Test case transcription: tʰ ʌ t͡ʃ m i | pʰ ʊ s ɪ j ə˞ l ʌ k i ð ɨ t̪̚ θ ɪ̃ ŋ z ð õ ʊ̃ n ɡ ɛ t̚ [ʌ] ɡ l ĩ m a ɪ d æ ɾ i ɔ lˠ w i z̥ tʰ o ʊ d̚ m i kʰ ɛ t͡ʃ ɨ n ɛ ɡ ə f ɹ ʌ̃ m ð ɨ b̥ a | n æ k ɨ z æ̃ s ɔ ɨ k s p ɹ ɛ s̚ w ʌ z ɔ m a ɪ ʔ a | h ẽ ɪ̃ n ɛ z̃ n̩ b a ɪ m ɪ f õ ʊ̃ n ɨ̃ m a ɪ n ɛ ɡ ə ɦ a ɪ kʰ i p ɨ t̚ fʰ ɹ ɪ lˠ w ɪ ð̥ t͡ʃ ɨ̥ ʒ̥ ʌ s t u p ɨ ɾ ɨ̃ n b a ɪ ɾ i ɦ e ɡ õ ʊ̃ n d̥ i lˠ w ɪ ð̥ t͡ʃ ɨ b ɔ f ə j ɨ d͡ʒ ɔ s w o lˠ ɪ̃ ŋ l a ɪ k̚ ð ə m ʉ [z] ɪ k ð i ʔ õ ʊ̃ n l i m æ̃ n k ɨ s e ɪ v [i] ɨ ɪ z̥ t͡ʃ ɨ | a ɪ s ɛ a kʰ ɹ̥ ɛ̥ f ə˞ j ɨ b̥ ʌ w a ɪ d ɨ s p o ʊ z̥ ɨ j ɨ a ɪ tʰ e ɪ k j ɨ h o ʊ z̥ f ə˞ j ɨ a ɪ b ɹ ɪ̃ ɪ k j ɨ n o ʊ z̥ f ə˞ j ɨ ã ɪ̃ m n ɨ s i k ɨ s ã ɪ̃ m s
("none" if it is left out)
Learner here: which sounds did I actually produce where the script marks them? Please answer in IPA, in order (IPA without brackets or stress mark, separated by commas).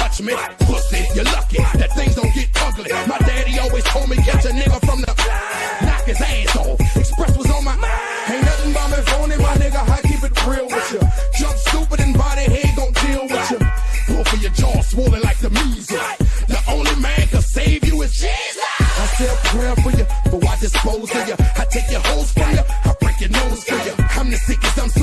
ʌ, z, j